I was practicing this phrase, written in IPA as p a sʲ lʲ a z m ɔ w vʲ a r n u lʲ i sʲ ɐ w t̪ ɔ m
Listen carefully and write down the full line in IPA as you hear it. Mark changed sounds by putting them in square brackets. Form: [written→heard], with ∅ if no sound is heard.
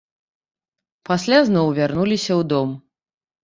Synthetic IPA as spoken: p a sʲ lʲ a z [m→n] ɔ w vʲ a r n u lʲ i sʲ ɐ w [t̪→d̪] ɔ m